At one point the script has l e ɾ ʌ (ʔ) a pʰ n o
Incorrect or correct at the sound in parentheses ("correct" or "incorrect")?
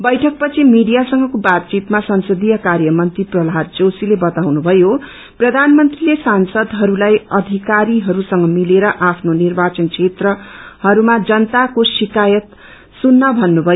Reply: correct